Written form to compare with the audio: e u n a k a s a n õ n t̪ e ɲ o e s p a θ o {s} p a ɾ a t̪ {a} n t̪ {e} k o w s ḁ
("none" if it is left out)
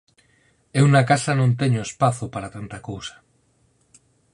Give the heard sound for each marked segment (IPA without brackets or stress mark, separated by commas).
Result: none, a, a